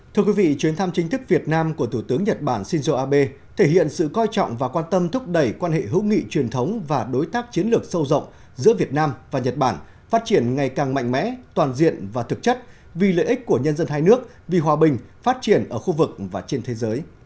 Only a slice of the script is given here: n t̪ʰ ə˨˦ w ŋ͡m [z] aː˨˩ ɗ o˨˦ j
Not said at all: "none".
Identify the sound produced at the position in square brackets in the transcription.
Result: v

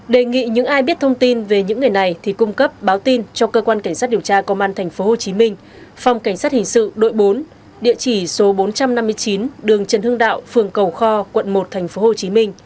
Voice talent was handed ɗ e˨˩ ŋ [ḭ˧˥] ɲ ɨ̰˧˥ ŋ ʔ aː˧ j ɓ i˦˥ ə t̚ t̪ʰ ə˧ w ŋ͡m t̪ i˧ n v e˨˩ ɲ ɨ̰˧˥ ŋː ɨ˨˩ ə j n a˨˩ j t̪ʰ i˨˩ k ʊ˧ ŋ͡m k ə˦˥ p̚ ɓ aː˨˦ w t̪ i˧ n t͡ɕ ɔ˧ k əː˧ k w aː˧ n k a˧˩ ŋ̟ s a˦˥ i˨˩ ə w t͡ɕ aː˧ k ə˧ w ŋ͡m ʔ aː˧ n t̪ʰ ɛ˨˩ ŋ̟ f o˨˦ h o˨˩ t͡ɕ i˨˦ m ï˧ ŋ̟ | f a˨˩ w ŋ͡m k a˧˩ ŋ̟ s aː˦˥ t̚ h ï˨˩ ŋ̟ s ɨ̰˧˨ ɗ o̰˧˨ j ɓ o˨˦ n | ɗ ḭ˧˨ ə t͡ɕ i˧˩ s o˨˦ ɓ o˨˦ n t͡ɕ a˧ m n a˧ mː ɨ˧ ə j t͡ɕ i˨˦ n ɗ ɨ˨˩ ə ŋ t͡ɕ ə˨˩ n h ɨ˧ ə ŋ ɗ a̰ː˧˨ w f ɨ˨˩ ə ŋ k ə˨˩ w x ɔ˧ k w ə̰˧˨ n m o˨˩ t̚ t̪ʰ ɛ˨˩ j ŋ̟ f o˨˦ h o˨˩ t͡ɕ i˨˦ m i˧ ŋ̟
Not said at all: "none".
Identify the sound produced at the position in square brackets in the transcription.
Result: ḭ˧˨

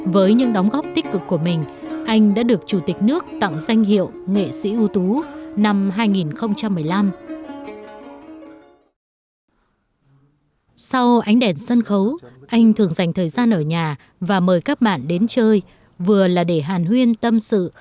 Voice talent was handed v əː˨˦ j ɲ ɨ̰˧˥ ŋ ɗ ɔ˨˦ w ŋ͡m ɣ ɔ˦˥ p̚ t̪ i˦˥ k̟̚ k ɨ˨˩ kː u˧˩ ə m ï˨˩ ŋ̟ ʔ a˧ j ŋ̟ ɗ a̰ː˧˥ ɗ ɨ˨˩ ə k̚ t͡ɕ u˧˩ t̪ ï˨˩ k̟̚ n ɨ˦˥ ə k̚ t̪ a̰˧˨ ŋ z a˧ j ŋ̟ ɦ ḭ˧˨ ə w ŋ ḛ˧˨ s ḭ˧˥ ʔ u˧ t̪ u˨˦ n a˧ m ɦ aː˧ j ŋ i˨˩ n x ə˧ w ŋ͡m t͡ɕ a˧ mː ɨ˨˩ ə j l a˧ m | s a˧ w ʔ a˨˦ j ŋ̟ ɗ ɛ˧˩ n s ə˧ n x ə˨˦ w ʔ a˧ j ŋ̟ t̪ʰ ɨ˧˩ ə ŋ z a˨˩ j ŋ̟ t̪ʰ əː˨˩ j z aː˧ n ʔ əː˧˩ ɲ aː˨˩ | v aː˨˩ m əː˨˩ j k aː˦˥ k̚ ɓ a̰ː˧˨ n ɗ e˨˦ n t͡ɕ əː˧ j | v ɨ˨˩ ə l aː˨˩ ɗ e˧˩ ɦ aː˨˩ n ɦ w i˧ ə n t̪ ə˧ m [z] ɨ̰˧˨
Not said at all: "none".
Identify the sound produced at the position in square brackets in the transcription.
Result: s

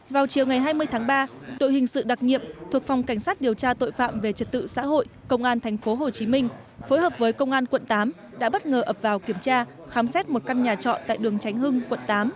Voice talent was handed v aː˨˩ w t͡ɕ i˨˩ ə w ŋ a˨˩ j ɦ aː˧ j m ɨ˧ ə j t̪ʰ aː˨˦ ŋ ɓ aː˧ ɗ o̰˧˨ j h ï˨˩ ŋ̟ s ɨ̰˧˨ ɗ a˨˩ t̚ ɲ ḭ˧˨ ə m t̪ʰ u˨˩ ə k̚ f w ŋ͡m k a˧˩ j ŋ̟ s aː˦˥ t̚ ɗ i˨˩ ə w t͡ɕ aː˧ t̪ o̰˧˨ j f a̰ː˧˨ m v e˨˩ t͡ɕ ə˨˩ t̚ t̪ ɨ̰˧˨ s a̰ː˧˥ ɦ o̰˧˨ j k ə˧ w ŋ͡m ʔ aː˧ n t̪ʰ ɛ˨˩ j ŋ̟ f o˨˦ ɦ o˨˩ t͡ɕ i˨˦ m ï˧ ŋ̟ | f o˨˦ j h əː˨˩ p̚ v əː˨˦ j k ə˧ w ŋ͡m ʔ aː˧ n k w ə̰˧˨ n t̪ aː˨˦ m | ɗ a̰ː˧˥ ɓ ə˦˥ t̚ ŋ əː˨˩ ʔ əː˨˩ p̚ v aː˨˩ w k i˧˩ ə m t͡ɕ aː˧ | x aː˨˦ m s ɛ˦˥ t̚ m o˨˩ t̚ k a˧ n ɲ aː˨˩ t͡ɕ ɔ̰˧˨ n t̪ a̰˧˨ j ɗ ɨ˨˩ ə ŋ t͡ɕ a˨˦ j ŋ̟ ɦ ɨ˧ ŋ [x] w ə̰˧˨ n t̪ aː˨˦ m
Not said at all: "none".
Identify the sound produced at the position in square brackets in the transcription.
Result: k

